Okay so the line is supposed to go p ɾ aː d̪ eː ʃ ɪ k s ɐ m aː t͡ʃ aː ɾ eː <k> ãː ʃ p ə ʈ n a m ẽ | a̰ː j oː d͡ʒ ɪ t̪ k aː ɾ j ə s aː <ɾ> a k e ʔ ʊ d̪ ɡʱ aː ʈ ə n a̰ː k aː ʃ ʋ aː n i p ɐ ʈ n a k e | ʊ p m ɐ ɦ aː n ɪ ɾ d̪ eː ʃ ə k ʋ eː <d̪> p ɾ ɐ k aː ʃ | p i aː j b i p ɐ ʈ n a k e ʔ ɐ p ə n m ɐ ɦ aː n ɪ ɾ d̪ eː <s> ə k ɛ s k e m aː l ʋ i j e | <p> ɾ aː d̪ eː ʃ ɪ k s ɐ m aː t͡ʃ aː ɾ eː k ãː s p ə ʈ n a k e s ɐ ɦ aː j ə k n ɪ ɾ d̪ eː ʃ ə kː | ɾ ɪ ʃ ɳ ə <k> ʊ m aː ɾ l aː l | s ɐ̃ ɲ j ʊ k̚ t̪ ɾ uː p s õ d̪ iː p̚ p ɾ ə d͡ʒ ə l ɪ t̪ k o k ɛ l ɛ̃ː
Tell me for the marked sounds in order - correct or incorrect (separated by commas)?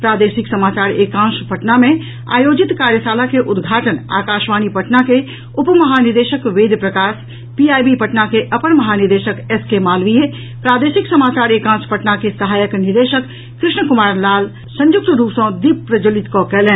correct, incorrect, correct, incorrect, correct, correct